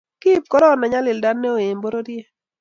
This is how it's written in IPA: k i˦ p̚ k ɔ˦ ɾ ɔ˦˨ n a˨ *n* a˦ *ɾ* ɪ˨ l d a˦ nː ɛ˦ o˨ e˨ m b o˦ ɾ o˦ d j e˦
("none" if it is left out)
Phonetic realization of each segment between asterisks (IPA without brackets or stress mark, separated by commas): ɲ, l